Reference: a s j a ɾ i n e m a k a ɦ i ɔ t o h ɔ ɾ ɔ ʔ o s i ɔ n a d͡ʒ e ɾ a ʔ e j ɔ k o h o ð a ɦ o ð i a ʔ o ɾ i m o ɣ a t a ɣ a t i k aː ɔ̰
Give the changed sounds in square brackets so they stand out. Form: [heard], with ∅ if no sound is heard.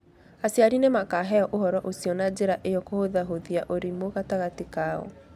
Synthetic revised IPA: a s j a ɾ i n e m a k a ɦ [ɛ] ɔ [ʔ] o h ɔ ɾ ɔ ʔ o s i ɔ n a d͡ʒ e ɾ a ʔ e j ɔ k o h o ð a ɦ o ð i a ʔ o ɾ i m o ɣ a t a ɣ a t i k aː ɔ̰